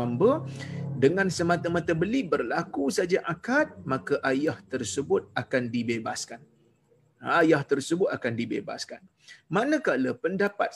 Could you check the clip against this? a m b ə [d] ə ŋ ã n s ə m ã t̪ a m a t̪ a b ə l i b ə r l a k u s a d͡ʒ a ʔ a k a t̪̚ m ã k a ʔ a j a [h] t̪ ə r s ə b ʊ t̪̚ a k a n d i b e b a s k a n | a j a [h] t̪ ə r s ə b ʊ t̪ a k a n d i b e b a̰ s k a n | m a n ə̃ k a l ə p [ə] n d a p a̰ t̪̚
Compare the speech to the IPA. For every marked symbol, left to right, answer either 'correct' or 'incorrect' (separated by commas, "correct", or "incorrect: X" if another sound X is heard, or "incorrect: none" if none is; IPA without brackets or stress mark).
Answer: correct, correct, correct, correct